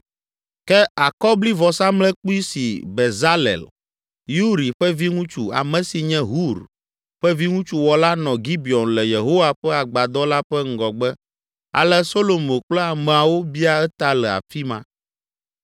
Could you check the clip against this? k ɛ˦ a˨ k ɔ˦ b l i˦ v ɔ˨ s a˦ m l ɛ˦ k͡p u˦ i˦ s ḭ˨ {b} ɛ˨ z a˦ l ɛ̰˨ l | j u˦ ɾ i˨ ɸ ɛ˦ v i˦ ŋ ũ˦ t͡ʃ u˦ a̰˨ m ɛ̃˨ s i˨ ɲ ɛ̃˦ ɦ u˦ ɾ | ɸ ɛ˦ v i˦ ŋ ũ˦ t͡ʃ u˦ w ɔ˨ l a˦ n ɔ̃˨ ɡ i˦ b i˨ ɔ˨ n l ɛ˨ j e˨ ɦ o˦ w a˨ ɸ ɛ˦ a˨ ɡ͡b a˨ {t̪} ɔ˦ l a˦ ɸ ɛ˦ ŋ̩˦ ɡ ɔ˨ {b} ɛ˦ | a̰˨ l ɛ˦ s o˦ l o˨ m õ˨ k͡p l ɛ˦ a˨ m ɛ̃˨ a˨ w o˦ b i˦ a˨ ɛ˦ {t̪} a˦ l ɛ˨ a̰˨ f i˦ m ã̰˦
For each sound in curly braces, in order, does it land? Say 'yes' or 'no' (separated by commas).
yes, no, no, yes